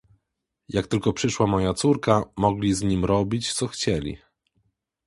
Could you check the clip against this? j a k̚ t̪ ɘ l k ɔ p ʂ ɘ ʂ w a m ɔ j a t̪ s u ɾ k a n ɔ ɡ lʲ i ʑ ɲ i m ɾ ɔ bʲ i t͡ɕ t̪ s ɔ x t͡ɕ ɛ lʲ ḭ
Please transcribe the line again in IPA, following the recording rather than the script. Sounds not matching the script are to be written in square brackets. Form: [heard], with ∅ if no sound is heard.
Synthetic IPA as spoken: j a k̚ t̪ ɘ l k ɔ p ʂ ɘ ʂ w a m ɔ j a t̪ s u ɾ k a [m] ɔ ɡ lʲ i [z] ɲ i m ɾ ɔ bʲ i t͡ɕ t̪ s ɔ x t͡ɕ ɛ lʲ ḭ